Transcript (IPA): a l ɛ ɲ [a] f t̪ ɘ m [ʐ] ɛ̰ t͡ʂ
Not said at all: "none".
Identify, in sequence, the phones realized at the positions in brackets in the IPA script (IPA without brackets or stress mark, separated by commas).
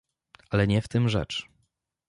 ɛ, ʐ